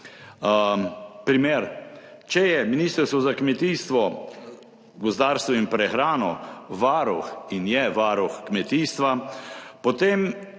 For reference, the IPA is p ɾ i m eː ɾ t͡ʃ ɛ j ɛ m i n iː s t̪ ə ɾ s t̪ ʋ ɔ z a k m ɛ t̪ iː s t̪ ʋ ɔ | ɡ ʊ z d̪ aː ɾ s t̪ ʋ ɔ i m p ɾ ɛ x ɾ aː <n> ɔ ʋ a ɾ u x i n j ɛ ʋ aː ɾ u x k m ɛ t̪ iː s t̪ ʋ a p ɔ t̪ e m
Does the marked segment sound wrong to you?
no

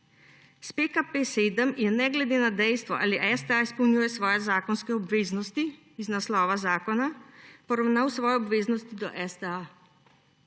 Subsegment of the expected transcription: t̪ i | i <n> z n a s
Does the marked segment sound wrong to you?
yes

